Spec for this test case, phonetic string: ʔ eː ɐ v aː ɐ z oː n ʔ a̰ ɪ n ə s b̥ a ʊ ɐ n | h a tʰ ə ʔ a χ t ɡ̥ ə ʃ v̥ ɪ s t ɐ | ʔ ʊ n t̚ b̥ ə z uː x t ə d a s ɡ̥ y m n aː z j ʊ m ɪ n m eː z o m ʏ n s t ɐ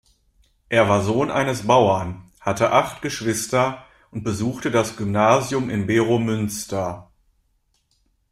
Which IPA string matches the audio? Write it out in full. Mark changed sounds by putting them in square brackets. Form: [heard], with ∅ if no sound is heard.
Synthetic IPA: ʔ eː ɐ v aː ɐ z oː n ʔ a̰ ɪ n ə s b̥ a ʊ ɐ n | h a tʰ ə ʔ a χ t ɡ̥ ə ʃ v̥ ɪ s t ɐ | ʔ ʊ n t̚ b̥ ə z uː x t ə d a s ɡ̥ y m n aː z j ʊ m ɪ n [b] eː [ʁ] o m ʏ n s t ɐ